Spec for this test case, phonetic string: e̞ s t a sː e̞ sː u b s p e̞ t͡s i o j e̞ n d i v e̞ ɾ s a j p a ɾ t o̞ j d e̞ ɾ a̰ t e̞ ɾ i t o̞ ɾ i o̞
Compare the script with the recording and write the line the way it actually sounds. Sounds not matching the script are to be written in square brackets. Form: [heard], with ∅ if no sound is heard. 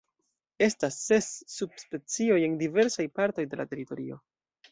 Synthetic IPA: e̞ s t a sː e̞ sː u b s p e̞ t͡s i o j e̞ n d i v e̞ ɾ s a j p a ɾ t o̞ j d e̞ [l] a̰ t e̞ ɾ i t o̞ ɾ i o̞